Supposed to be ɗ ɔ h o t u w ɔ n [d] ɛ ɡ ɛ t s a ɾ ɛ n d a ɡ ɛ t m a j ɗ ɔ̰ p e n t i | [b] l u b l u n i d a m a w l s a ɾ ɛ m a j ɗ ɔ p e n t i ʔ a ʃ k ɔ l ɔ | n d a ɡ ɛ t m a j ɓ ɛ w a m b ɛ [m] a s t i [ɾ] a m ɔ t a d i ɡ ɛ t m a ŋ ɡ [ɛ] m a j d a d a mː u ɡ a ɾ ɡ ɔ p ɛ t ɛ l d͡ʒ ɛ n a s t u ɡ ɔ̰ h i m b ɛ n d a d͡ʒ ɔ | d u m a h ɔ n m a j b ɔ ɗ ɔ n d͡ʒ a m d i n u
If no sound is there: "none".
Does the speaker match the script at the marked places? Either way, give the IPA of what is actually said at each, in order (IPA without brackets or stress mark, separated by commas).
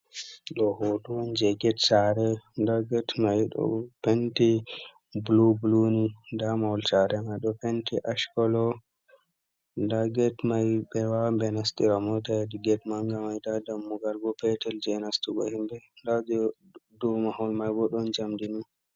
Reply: d͡ʒ, b, n, ɾ, a